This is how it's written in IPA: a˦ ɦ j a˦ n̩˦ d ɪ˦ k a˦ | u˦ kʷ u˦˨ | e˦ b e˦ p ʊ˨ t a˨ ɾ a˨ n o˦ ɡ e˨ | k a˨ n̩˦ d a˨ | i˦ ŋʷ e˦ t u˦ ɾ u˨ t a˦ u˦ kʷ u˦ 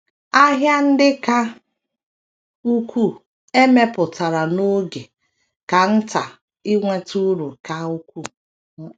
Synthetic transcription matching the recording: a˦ ɦ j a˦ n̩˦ d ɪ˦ k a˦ | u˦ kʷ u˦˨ | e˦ m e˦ p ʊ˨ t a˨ ɾ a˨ n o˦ ɡ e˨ | k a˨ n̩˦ t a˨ | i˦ ŋʷ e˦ t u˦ ɾ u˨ k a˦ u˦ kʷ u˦